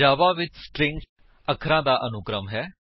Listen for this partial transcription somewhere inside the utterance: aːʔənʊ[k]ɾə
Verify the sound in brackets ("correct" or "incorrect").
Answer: correct